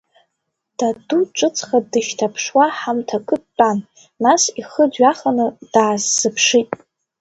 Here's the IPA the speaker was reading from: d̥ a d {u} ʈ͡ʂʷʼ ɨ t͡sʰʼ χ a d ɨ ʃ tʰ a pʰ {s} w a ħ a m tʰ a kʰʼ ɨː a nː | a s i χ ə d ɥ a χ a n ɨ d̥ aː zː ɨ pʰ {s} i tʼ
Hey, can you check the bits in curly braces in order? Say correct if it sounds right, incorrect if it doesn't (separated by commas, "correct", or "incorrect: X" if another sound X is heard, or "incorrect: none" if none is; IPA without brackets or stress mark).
correct, incorrect: ʂ, incorrect: ʂ